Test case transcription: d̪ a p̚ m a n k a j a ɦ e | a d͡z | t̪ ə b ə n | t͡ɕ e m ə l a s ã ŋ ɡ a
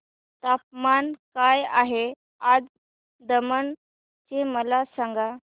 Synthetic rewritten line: t̪ a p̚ m a n k a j a ɦ e | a d͡z | d̪ ə m ə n | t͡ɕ e m ə l a s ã ŋ ɡ a